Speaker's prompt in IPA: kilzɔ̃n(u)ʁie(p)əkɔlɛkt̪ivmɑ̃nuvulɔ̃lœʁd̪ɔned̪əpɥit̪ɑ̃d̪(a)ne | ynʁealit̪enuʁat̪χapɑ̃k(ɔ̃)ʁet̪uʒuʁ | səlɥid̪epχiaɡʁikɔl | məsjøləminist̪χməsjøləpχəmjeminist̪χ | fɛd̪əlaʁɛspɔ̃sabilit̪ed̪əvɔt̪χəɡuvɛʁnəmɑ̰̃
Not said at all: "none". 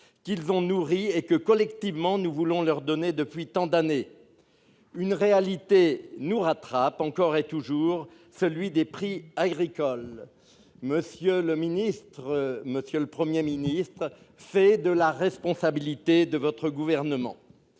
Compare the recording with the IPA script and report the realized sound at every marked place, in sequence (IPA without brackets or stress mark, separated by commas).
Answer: u, k, a, ɔ